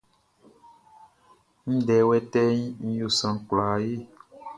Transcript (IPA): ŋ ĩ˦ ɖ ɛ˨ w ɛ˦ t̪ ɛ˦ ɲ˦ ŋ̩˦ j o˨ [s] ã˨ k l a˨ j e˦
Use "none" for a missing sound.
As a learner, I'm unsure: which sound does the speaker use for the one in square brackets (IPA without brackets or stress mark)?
s